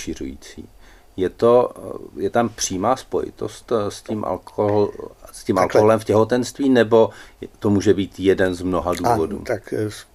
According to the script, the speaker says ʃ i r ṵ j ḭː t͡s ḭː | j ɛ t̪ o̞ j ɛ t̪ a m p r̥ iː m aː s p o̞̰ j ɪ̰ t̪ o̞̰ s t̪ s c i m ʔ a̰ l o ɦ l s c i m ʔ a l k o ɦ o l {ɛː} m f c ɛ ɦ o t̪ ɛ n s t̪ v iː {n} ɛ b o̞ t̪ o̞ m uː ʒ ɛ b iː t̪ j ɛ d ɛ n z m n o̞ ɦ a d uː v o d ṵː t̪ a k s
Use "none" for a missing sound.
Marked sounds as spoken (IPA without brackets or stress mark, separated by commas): ɛ, n